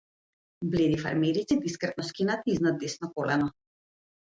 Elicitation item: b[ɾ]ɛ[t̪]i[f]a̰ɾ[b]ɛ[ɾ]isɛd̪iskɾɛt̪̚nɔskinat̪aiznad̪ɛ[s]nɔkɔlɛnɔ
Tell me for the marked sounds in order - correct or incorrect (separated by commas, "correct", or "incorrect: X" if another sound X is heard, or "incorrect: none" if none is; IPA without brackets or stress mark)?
incorrect: l, incorrect: d̪, correct, incorrect: m, correct, correct